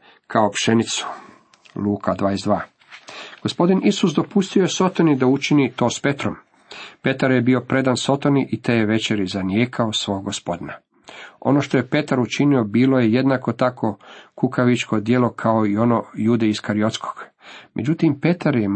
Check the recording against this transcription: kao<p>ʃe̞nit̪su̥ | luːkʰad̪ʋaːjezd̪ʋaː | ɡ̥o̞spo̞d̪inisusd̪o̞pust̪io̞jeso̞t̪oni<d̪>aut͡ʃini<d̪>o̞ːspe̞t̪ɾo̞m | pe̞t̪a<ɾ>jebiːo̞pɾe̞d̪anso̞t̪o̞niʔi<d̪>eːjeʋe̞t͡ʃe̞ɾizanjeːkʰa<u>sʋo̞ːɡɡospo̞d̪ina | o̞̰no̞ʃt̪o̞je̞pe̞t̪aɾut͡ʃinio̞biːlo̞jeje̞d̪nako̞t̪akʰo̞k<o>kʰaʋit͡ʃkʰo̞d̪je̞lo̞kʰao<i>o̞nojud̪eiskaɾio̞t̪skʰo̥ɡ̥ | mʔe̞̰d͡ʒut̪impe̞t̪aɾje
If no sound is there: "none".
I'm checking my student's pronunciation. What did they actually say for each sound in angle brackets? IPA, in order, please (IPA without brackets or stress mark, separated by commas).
p, d̪, t̪, ɾ, t̪, o, u, i